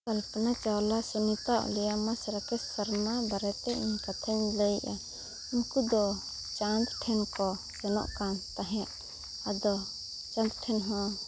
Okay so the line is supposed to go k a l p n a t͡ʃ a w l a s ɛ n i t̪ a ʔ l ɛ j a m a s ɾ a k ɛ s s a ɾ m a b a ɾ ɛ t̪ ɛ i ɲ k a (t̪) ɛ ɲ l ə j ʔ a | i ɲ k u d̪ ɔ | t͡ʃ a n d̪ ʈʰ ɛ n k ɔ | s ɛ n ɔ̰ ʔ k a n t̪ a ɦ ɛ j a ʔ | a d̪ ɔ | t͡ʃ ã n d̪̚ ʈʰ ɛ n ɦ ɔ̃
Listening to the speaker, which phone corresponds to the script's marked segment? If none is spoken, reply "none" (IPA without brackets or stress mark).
t̪ʰ